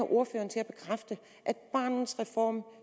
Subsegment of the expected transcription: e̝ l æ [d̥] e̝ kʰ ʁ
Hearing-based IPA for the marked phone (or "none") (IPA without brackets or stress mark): b̥